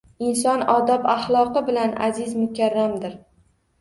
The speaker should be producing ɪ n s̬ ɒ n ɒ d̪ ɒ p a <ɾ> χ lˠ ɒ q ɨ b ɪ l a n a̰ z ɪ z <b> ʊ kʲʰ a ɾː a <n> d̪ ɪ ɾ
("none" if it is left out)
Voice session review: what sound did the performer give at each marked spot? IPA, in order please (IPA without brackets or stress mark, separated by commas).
none, m, m